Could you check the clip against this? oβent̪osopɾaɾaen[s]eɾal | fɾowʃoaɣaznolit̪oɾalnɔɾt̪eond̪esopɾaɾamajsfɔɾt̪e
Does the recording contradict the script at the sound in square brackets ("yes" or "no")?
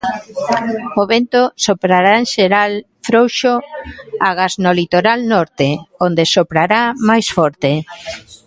yes